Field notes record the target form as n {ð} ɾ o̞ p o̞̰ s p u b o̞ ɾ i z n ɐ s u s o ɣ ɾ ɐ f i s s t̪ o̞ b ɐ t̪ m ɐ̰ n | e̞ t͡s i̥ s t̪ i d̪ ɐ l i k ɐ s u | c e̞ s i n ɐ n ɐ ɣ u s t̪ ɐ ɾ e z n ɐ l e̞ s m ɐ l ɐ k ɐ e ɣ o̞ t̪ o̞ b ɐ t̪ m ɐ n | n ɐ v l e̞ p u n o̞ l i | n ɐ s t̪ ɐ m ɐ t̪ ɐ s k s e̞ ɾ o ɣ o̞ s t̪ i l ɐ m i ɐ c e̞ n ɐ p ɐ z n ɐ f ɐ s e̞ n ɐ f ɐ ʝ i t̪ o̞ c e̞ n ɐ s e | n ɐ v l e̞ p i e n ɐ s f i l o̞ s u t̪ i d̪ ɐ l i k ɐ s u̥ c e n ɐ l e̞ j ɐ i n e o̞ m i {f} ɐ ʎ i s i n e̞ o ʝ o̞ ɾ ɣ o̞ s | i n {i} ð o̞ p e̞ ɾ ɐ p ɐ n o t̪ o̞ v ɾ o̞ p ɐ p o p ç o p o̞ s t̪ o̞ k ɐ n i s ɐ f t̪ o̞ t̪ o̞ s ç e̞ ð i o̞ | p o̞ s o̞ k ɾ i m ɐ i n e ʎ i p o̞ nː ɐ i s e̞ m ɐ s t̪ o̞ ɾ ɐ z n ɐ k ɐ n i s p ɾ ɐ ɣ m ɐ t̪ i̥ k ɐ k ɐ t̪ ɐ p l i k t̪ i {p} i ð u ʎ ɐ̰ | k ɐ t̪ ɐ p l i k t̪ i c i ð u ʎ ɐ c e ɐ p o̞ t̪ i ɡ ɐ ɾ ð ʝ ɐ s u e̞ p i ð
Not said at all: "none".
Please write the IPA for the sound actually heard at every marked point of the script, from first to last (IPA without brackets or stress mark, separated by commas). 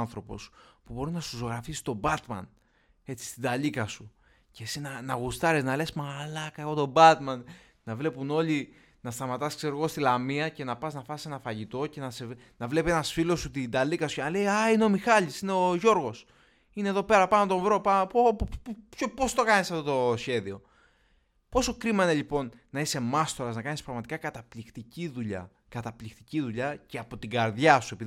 θ, x, e, c